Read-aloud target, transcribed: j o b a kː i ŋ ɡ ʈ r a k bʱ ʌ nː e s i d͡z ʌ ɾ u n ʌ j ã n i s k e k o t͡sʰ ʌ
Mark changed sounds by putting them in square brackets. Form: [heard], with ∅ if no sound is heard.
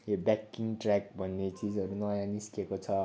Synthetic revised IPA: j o b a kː i ŋ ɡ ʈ r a k bʱ ʌ nː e [t͡s] i d͡z ʌ ɾ u n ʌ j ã n i s k e k o t͡sʰ ʌ

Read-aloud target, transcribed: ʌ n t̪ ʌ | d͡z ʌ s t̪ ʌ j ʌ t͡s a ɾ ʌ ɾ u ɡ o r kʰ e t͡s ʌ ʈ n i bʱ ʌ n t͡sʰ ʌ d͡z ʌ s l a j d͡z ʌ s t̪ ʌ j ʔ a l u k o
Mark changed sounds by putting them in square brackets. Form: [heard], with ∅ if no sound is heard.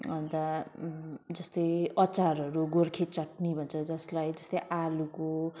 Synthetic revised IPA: ʌ n t̪ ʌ | d͡z ʌ s t̪ ʌ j ʌ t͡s a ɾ ʌ ɾ u ɡ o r kʰ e t͡s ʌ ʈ n i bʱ ʌ n t͡sʰ ʌ d͡z ʌ s l a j d͡z ʌ s t̪ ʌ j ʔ a l u k o

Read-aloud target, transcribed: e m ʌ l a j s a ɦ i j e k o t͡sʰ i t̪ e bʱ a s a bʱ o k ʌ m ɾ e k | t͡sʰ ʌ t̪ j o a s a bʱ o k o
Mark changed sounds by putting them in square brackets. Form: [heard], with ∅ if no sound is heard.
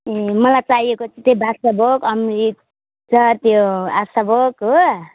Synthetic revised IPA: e m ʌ l a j [t͡s] a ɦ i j e k o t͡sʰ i t̪ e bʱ a s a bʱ o k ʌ m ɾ [i] k | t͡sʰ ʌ t̪ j o a s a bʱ o k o

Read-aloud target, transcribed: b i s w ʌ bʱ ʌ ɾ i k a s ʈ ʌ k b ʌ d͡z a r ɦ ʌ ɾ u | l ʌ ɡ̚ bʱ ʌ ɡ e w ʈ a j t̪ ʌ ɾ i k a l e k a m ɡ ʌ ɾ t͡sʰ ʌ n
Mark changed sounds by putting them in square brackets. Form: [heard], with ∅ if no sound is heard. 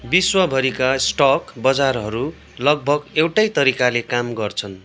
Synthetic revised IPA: b i s w ʌ bʱ ʌ ɾ i k a s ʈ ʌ k b ʌ d͡z a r ɦ ʌ ɾ u | l ʌ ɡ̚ bʱ ʌ ɡ e w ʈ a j t̪ ʌ ɾ i k a l e k a m ɡ ʌ [r] t͡sʰ ʌ n

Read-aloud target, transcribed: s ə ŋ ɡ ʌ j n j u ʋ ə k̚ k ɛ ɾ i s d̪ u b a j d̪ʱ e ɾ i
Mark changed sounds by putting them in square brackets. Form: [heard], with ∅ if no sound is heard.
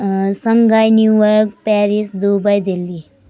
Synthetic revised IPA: s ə ŋ ɡ [a] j n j u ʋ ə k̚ [p] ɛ ɾ i s d̪ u b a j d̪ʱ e [l] i

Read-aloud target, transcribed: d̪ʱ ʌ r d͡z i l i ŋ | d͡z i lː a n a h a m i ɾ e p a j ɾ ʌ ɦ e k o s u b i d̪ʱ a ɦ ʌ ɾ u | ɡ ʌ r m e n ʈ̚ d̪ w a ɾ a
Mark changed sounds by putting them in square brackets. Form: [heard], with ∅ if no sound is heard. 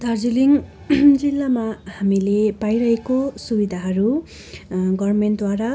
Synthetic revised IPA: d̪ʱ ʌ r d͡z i l i ŋ | d͡z i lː a [m] a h a m i [l] e p a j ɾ ʌ ɦ e k o s u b i d̪ʱ a ɦ ʌ ɾ u | ɡ ʌ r m e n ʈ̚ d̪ w a ɾ a

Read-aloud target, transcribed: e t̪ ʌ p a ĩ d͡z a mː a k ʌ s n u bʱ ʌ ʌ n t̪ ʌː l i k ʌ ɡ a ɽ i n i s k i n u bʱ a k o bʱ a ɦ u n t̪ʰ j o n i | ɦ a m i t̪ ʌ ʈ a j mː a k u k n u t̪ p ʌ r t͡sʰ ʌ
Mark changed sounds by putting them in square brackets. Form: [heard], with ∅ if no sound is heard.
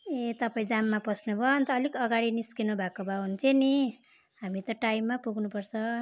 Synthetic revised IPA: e t̪ ʌ p a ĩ d͡z a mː a [p] ʌ s n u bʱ ʌ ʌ n t̪ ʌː l i k ʌ ɡ a ɽ i n i s k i n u bʱ a k o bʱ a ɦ u n t̪ʰ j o n i | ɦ a m i t̪ ʌ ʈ a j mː a [p] u [ɡ] n u [∅] p ʌ r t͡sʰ ʌ

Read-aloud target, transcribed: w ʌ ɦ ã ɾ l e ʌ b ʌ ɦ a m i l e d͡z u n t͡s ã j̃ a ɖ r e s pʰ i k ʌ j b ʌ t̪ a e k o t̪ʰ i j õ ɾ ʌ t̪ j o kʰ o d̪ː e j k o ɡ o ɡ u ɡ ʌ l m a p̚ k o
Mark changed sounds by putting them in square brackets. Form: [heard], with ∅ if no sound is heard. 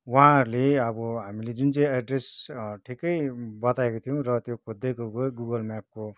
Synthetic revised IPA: w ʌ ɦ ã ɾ l e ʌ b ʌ ɦ a m i l e d͡z u n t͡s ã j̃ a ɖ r e s [ʈʰ] i k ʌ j b ʌ t̪ a e k o t̪ʰ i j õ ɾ ʌ t̪ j o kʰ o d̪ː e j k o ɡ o ɡ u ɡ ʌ l m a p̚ k o

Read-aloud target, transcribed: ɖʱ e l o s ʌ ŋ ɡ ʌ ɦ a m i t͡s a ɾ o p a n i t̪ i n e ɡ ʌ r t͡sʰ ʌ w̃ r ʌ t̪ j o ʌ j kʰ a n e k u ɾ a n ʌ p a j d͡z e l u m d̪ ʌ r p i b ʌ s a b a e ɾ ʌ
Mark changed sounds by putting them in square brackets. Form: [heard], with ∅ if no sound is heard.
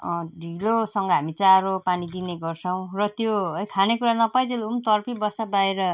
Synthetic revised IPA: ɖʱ [i] l o s ʌ ŋ ɡ ʌ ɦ a m i t͡s a ɾ o p a n i [d̪] i n e ɡ ʌ r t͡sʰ ʌ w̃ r ʌ t̪ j o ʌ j kʰ a n e k u ɾ a n ʌ p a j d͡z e l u m [t̪] ʌ r p i b ʌ s a b a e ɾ ʌ

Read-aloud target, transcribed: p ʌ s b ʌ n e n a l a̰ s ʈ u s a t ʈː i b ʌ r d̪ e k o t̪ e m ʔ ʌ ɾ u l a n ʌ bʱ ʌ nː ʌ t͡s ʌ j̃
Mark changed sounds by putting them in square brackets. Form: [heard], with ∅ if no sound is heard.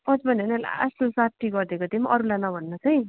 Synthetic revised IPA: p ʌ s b ʌ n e n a l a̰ s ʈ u s a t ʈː i [ɡ] ʌ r d̪ e k o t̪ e m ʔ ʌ ɾ u l a n ʌ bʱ ʌ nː ʌ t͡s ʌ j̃

